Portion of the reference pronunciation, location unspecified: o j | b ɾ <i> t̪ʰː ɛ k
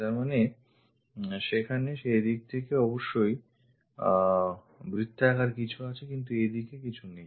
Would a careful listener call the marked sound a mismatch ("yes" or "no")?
no